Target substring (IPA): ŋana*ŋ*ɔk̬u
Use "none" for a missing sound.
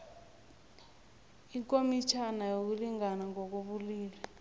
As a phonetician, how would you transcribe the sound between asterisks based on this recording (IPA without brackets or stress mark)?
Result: ŋ